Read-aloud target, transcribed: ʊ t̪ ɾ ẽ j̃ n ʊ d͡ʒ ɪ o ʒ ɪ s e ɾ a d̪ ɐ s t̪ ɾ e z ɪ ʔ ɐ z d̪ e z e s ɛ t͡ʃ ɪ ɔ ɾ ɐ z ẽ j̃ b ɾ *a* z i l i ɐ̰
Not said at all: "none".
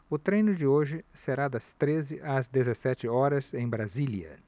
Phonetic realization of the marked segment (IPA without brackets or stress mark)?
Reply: a